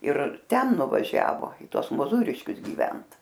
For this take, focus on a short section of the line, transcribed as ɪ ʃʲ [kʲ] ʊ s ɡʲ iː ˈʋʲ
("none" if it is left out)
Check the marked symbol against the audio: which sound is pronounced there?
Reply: kʲ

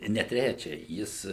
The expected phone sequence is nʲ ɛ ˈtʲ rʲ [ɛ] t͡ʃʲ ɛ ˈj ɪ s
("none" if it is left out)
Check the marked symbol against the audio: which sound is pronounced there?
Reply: æ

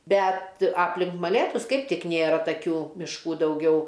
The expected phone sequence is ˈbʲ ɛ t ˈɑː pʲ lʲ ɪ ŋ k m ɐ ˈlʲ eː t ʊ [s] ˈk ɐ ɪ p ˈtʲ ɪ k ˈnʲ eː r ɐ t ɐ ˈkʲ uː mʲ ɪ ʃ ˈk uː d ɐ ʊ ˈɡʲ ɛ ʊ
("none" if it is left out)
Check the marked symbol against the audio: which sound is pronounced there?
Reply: s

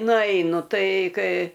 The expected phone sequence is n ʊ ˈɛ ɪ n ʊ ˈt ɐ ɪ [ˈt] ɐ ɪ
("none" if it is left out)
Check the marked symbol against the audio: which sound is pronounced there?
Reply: k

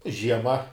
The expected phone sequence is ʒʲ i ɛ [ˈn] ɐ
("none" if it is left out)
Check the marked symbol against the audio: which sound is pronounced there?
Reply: m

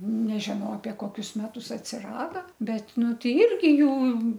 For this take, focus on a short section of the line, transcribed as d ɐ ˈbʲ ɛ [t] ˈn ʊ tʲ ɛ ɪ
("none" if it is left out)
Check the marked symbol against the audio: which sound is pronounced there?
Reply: t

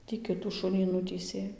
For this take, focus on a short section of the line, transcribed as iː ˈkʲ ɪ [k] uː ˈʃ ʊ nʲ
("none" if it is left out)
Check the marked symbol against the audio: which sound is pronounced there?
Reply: t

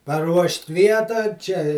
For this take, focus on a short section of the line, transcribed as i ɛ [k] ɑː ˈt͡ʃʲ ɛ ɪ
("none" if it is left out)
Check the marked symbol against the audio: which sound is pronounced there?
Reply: t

